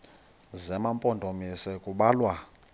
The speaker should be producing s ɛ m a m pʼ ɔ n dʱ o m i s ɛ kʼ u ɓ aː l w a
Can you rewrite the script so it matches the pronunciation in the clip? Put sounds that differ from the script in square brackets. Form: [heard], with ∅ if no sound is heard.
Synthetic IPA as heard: [z] ɛ m a m pʼ ɔ n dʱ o m i s ɛ kʼ u ɓ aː l w a